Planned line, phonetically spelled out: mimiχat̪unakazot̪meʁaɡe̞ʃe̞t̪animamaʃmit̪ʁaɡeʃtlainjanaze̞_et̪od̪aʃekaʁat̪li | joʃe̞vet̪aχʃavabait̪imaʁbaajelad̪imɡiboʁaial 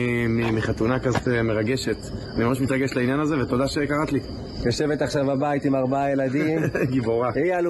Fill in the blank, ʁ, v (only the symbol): v